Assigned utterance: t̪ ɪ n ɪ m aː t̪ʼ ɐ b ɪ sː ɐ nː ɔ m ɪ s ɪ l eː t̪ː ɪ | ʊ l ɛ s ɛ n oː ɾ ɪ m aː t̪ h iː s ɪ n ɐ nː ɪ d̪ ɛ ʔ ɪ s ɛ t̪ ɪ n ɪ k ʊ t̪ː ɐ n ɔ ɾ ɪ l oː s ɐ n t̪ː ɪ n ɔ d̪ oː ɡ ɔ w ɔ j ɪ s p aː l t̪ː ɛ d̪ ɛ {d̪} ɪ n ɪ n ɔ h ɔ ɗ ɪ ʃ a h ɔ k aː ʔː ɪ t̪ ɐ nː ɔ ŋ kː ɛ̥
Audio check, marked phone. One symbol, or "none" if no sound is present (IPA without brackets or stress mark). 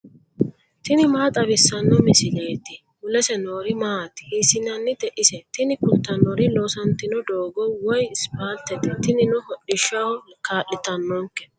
t̪